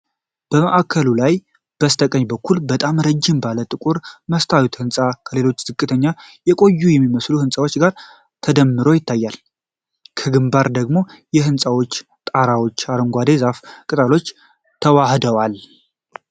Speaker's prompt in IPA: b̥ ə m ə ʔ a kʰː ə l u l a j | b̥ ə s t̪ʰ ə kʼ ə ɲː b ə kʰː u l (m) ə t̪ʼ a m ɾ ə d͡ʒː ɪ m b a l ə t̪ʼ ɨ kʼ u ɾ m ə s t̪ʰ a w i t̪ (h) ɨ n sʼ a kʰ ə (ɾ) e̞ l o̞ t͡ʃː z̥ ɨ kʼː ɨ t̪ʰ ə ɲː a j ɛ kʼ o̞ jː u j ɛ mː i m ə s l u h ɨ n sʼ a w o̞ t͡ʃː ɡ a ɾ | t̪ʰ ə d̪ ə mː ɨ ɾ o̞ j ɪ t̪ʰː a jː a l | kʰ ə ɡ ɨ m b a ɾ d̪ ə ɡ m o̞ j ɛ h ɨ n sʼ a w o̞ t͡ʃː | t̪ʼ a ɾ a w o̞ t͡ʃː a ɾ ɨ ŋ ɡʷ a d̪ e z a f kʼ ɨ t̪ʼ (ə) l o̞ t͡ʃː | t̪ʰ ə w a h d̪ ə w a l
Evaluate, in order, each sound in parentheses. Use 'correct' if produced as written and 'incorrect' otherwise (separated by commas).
incorrect, correct, incorrect, incorrect